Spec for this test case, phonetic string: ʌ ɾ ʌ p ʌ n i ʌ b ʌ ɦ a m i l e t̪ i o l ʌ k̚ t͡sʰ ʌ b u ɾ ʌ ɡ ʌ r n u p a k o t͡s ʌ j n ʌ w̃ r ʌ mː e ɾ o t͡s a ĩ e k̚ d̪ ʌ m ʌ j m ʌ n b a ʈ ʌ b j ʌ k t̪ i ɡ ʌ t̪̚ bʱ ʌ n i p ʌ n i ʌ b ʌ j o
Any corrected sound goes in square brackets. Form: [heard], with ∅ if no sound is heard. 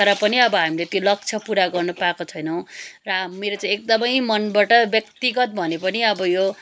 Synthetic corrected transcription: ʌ ɾ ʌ p ʌ n i ʌ b ʌ ɦ a m i l e t̪ [j] o l ʌ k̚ t͡sʰ ʌ [p] u ɾ [a] ɡ ʌ r n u p a k o [t͡sʰ] ʌ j n ʌ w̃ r ʌ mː e ɾ o t͡s a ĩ e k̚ d̪ ʌ m ʌ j m ʌ n b a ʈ ʌ b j ʌ k t̪ i ɡ ʌ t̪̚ bʱ ʌ n [e] p ʌ n i ʌ b ʌ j o